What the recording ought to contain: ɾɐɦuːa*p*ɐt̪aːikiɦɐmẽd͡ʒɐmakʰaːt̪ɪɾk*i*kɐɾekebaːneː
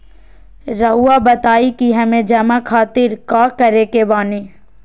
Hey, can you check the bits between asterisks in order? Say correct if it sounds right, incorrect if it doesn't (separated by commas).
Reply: incorrect, incorrect